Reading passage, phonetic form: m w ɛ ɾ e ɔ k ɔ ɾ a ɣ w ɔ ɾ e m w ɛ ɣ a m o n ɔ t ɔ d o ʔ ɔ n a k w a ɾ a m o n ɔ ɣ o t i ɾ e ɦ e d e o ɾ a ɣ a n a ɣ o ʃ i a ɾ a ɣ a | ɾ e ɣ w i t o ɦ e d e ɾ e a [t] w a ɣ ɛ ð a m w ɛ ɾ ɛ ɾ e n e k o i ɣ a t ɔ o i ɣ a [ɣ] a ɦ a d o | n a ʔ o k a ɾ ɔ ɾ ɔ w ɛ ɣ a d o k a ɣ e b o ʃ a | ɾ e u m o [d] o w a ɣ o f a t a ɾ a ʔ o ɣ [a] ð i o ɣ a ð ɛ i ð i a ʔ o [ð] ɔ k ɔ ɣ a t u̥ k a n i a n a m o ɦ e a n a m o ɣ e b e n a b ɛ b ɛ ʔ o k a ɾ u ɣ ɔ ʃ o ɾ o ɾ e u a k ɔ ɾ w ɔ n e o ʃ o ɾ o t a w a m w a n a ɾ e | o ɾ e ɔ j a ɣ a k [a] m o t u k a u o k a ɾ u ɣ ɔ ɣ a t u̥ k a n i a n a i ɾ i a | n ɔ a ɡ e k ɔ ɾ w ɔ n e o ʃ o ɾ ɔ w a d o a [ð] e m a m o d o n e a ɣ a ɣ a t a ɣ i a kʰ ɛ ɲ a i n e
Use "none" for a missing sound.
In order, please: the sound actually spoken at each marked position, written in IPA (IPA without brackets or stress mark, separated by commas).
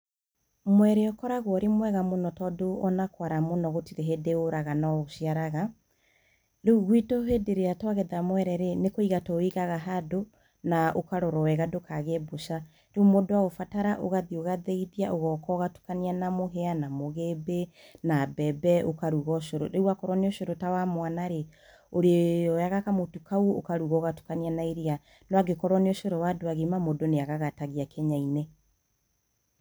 t, ɣ, d, a, ɣ, a, ɣ